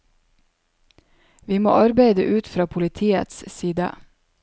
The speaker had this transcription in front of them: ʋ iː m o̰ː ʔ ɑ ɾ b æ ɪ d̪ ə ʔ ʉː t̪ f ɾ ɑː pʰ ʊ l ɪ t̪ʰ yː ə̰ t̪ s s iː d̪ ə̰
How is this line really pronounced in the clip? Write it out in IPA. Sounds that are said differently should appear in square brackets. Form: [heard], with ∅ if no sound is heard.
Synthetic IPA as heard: ʋ iː m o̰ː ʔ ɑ ɾ b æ ɪ d̪ ə ʔ ʉː t̪ f ɾ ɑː pʰ ʊ l ɪ t̪ʰ [iː] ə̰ t̪ s s iː d̪ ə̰

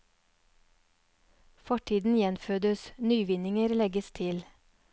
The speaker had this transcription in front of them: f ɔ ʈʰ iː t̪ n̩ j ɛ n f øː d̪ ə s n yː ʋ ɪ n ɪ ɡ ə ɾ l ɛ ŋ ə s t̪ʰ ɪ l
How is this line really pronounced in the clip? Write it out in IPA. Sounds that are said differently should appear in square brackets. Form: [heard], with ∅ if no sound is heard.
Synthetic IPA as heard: f ɔ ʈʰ iː [d̪] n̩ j ɛ n f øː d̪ ə s n yː ʋ ɪ n ɪ [ŋ] ə ɾ l ɛ [ɡ] ə s t̪ʰ ɪ l

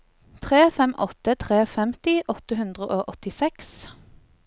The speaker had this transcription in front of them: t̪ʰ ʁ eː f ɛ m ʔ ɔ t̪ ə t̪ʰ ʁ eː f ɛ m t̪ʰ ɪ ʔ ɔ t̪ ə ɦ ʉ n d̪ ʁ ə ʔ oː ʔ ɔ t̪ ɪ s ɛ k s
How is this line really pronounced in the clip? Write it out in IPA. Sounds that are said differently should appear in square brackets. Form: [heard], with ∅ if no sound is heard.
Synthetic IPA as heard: t̪ʰ ʁ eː f ɛ m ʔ ɔ t̪ ə t̪ʰ ʁ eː f ɛ m [t̪] ɪ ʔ ɔ t̪ ə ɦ ʉ n d̪ ʁ ə ʔ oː ʔ ɔ t̪ ɪ s ɛ k s

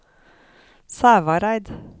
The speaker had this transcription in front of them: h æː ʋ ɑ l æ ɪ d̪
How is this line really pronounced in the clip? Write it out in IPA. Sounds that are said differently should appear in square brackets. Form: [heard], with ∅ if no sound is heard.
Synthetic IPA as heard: [s] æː ʋ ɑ [ɾ] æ ɪ d̪

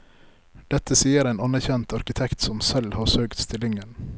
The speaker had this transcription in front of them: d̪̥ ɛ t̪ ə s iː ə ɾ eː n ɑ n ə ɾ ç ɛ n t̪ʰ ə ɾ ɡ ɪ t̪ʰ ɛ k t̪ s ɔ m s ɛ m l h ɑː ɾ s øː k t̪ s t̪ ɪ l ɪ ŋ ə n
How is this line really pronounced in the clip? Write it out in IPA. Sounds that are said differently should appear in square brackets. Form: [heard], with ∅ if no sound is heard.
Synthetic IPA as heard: d̪̥ ɛ t̪ ə s iː ə ɾ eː n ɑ n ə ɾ ç ɛ n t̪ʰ [ɑ] ɾ [k] ɪ t̪ʰ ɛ k t̪ s ɔ m s ɛ [∅] l h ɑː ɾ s øː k t̪ s t̪ ɪ l ɪ ŋ ə n

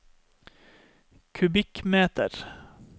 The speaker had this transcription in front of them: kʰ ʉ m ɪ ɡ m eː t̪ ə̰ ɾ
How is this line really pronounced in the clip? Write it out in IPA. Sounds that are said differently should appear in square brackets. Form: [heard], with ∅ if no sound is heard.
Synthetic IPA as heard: kʰ ʉ [b] ɪ [k] m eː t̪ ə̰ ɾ

